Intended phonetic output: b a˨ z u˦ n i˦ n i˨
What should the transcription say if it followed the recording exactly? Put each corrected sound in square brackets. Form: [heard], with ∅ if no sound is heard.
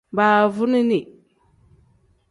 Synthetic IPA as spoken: b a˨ [v] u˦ n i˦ n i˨

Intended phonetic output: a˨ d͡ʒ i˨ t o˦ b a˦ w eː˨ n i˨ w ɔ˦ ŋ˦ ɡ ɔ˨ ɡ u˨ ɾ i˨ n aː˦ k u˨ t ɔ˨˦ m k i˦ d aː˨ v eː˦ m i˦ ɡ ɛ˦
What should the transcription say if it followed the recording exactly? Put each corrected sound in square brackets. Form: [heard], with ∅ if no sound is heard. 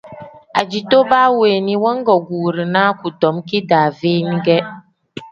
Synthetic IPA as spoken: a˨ d͡ʒ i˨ t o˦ b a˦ w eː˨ n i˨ w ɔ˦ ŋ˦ ɡ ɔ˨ ɡ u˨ ɾ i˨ n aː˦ k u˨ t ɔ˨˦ m k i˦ d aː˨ v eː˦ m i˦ ɡ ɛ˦

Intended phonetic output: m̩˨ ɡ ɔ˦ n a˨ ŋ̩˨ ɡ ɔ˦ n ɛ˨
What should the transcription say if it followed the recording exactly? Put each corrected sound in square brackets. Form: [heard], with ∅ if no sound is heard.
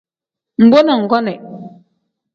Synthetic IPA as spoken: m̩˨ [b] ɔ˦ n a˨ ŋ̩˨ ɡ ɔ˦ n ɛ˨

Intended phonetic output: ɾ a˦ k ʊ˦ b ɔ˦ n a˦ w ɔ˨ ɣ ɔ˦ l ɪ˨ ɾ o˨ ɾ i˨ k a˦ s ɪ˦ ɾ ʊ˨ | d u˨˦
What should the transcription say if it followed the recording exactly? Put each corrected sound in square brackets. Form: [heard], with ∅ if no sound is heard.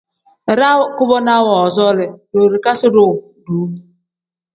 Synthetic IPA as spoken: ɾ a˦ k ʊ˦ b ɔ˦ n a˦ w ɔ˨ [z] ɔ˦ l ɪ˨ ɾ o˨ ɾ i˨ k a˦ s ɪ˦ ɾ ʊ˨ | d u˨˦

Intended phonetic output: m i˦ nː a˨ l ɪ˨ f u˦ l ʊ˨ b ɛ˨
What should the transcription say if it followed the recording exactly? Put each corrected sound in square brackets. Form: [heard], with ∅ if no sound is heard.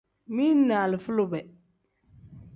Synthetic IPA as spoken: m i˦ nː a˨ l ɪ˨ f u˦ l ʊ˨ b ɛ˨

